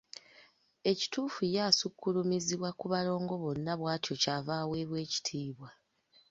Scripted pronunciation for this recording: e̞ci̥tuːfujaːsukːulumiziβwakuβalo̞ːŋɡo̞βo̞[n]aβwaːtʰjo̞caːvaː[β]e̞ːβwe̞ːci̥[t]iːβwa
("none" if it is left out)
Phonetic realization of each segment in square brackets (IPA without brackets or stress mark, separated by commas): nː, w, tʰ